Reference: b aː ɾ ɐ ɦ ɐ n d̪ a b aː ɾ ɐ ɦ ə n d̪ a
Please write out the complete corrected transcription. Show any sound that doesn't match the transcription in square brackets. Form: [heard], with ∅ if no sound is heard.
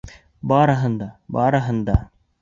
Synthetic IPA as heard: b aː ɾ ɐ ɦ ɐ n d̪ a b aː ɾ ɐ ɦ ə n d̪ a